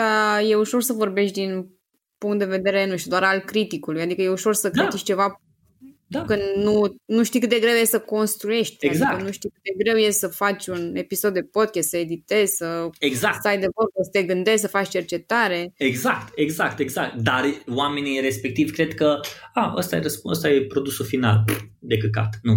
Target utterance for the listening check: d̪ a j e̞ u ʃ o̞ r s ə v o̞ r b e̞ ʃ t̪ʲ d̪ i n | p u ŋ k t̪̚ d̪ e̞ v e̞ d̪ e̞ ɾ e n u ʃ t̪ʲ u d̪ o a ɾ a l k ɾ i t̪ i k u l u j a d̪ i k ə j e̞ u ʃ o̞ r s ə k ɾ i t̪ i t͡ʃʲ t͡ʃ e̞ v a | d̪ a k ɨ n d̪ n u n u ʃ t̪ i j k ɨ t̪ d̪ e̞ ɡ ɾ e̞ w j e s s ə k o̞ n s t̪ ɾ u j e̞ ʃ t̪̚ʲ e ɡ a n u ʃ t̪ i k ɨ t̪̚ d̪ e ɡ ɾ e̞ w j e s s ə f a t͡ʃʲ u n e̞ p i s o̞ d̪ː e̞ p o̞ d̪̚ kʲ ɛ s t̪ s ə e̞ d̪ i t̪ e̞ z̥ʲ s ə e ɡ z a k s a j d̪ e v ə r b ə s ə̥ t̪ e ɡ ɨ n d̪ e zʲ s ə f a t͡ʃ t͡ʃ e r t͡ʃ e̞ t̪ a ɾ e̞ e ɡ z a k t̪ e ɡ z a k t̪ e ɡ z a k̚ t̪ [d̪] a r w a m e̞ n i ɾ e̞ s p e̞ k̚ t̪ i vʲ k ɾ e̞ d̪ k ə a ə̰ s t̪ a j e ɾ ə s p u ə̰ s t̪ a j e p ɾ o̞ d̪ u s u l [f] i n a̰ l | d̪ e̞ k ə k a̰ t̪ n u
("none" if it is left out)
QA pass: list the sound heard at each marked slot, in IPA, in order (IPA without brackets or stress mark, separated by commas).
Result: d̪, f